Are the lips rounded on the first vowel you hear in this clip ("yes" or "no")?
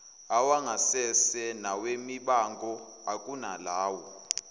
no